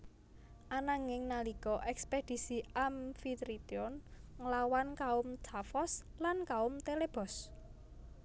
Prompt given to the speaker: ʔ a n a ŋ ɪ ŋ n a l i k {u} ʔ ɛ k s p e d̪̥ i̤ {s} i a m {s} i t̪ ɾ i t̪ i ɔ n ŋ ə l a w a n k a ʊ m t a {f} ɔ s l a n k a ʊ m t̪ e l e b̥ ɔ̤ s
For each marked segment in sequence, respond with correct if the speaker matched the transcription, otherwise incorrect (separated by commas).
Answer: incorrect, correct, incorrect, correct